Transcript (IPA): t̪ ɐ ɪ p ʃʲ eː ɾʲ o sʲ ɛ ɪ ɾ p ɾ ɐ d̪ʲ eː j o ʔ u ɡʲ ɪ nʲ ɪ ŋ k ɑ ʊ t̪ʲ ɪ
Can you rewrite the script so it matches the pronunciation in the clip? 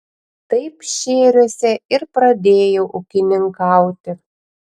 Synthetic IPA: t̪ ɐ ɪ p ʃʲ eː ɾʲ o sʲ ɛ ɪ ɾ p ɾ ɐ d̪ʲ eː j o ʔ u kʲ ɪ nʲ ɪ ŋ k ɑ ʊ t̪ʲ ɪ